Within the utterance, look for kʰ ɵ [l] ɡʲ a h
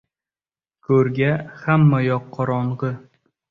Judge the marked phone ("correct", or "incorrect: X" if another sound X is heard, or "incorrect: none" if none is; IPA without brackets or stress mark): incorrect: ɾ